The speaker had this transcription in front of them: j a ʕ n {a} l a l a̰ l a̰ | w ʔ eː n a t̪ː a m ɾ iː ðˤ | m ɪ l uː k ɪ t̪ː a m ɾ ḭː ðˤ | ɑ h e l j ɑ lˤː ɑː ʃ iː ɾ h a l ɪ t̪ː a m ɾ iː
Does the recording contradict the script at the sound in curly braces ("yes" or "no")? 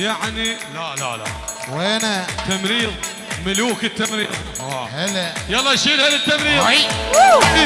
yes